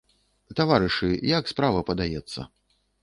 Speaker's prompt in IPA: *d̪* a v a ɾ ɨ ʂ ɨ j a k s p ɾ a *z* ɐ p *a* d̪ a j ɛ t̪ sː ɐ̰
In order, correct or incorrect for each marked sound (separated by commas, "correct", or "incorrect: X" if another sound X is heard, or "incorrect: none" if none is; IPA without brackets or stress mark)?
incorrect: t̪, incorrect: v, incorrect: ɐ